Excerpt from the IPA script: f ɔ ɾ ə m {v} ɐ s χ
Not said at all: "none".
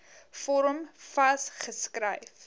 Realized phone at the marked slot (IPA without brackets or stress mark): f